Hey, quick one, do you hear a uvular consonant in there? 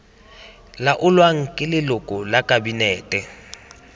no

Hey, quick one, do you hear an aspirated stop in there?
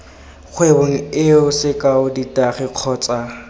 yes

